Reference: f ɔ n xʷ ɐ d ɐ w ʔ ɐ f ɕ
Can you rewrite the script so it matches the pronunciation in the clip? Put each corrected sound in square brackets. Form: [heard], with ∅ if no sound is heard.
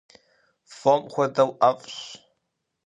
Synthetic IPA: f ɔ [m] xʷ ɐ d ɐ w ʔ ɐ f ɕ

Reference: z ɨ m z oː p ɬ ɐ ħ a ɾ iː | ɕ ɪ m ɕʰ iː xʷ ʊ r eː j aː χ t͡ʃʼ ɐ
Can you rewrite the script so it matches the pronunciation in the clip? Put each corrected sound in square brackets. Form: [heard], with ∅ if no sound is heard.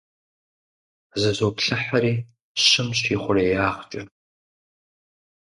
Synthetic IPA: z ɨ [∅] z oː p ɬ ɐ ħ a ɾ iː | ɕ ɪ m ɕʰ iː [χʷ] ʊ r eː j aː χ t͡ʃʼ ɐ

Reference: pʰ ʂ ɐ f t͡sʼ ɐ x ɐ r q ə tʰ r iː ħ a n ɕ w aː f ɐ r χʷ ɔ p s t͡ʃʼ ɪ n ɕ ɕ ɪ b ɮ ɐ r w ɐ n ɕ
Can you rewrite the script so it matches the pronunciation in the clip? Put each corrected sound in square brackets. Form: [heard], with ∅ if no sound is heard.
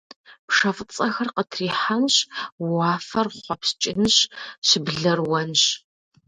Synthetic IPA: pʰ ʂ ɐ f t͡sʼ ɐ x ɐ r q ə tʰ r iː ħ a n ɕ w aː f ɐ r χʷ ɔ p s t͡ʃʼ ɪ n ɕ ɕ ɪ b ɮ ɐ r w ɐ n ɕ

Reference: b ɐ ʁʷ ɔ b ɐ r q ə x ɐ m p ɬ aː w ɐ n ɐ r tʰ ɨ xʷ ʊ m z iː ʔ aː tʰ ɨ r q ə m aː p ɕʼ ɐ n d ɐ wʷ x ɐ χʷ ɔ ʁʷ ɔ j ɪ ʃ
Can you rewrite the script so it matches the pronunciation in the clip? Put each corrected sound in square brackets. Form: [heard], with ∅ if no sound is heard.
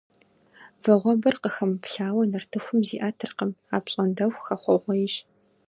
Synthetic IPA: [v] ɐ ʁʷ ɔ b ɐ r q ə x ɐ m p ɬ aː w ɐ n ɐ r tʰ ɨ xʷ ʊ m z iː ʔ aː tʰ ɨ r q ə m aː p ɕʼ ɐ n d ɐ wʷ x ɐ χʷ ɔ ʁʷ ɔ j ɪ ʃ

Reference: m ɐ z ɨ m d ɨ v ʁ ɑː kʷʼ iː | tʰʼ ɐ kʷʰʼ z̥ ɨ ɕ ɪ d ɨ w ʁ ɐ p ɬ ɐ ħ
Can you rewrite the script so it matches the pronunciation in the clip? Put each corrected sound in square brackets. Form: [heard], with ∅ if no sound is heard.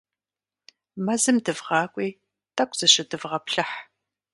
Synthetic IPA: m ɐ z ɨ m d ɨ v ʁ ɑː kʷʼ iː | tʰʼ ɐ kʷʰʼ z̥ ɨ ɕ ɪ d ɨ [v] ʁ ɐ p ɬ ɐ ħ

